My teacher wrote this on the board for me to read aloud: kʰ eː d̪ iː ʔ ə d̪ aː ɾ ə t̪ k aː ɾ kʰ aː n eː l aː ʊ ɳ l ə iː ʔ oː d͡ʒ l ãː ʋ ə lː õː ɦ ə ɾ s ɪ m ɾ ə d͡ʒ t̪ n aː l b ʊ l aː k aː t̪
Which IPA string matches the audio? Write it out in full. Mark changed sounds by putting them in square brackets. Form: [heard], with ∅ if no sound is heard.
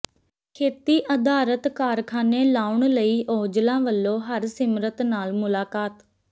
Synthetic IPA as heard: kʰ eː [t̪] iː ʔ ə d̪ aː ɾ ə t̪ k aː ɾ kʰ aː n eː l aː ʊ ɳ l ə iː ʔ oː d͡ʒ l ãː ʋ ə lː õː ɦ ə ɾ s ɪ m ɾ ə [∅] t̪ n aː l [m] ʊ l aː k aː t̪